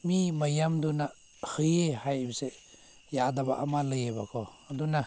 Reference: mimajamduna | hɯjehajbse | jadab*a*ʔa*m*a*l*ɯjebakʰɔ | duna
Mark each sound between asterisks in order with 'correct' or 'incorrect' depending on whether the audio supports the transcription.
correct, correct, correct

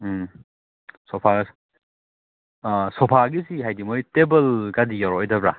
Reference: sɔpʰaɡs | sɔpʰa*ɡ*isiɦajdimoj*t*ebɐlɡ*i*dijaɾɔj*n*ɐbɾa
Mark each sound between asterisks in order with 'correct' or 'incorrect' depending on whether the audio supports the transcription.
correct, correct, incorrect: a, incorrect: d

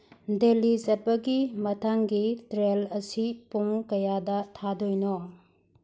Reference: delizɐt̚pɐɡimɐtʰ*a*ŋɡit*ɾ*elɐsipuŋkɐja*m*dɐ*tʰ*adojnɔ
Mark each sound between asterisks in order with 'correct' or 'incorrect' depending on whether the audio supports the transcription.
correct, correct, incorrect: none, correct

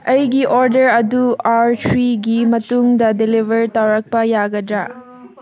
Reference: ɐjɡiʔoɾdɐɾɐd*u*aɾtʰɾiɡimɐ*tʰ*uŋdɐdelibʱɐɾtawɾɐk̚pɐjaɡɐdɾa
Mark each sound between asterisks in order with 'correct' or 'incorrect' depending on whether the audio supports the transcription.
correct, incorrect: t

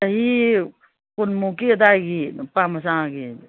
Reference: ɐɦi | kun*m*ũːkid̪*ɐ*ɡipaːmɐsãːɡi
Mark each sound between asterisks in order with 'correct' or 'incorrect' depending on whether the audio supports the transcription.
correct, incorrect: a

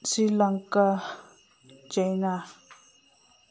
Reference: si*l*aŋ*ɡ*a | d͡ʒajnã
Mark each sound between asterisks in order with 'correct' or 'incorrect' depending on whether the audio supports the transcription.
correct, incorrect: k

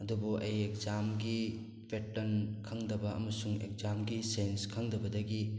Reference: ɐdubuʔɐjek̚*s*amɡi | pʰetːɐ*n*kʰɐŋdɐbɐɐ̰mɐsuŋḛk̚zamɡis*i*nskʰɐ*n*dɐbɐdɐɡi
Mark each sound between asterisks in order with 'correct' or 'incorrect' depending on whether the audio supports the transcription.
incorrect: z, correct, incorrect: e, incorrect: ŋ

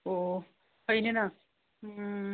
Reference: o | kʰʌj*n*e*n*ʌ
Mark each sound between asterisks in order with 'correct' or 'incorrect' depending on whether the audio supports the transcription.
correct, correct

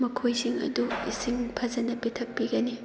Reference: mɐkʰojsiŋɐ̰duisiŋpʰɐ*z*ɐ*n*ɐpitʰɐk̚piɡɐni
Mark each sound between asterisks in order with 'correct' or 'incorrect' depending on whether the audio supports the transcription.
correct, correct

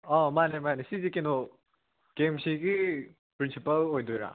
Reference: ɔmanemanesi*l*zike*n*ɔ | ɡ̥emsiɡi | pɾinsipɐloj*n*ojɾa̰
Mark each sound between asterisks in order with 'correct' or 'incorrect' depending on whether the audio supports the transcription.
incorrect: none, correct, incorrect: d

